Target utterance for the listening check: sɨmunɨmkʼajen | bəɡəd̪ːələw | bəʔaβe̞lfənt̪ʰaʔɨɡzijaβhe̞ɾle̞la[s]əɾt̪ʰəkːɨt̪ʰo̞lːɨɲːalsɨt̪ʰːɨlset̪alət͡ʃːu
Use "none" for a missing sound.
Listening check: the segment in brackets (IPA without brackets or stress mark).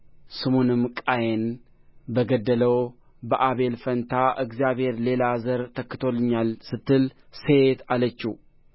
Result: z